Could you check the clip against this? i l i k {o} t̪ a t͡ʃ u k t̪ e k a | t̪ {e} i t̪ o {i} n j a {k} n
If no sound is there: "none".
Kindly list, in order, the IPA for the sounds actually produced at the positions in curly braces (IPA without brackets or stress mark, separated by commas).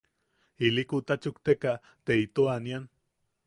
u, e, a, none